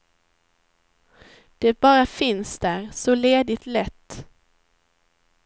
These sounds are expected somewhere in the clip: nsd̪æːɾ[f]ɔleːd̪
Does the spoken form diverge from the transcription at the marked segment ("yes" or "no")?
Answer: yes